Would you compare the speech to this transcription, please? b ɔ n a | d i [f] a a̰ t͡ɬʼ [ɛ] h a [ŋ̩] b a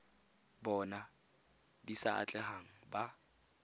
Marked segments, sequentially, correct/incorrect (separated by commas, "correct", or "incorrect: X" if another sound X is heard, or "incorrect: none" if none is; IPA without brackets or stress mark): incorrect: s, correct, correct